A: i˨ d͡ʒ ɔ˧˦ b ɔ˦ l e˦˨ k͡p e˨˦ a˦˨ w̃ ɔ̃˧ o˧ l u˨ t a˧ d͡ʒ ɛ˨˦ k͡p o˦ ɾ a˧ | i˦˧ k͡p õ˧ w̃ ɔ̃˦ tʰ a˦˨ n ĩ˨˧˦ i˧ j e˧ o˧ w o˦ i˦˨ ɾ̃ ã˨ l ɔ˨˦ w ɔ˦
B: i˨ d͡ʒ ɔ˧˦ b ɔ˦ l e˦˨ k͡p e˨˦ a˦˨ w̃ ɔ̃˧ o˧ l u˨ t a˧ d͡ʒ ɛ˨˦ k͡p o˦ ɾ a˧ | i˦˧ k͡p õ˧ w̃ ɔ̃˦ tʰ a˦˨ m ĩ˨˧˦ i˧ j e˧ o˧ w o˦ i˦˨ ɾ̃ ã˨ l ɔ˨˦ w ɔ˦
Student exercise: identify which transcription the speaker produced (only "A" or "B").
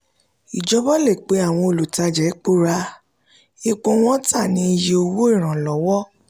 A